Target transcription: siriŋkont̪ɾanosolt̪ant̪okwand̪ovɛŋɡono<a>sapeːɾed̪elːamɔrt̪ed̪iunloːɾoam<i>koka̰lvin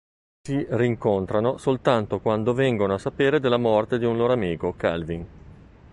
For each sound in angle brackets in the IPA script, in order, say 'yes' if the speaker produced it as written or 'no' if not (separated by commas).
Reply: yes, no